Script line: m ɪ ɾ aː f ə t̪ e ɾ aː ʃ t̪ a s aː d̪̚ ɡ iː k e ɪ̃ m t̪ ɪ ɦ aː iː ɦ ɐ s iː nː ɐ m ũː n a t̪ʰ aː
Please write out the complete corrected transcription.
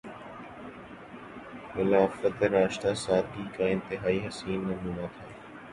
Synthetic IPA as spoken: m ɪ l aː f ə t̪ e ɾ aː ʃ t̪ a s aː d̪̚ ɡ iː k a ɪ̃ n t̪ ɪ ɦ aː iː ɦ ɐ s iː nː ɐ m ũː n a t̪ʰ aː